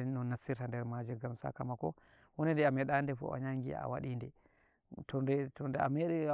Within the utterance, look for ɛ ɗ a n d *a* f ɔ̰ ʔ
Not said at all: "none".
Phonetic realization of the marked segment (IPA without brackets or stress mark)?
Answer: ɛ